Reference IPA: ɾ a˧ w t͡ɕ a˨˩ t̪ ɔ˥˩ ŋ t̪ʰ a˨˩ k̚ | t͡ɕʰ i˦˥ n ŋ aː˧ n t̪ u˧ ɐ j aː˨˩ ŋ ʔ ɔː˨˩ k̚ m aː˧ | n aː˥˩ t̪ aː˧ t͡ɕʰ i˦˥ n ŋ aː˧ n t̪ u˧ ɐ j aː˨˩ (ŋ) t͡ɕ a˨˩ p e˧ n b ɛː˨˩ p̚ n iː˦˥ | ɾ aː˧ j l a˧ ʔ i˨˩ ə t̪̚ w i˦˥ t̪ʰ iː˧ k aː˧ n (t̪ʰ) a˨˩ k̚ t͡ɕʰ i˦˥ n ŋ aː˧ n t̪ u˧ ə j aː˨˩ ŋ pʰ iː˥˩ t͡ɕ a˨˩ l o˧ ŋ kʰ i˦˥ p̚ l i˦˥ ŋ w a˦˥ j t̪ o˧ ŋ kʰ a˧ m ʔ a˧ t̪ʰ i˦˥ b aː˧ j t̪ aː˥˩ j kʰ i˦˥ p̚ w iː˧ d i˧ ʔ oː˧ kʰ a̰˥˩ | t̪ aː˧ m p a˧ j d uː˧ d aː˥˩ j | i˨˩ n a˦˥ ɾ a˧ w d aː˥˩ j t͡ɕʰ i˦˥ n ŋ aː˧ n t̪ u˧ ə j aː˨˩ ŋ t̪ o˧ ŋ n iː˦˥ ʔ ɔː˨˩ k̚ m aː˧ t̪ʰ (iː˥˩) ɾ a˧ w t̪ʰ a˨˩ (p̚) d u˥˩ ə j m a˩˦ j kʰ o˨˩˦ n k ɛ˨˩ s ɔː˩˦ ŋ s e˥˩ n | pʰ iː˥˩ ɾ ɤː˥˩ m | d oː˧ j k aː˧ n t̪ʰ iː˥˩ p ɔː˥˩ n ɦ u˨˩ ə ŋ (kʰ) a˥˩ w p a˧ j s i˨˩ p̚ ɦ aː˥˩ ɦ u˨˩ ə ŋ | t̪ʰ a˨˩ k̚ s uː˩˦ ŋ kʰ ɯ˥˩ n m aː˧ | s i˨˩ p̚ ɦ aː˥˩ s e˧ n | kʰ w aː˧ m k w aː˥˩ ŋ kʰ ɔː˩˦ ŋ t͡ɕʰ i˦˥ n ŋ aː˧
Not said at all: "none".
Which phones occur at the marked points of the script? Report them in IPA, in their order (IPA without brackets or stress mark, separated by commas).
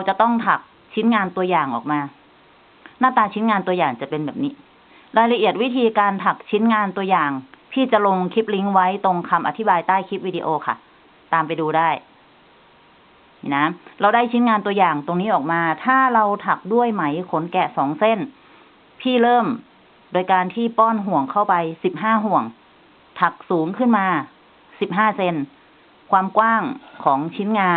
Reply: ŋ, t̪ʰ, aː˥˩, k̚, kʰ